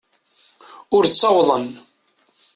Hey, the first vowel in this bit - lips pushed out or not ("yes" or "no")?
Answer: yes